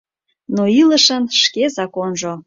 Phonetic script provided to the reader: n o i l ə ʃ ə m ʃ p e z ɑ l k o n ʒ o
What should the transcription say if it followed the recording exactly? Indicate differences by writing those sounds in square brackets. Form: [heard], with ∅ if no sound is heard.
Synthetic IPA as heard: n o i l ə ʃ ə [n] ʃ [k] e z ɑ [∅] k o n ʒ o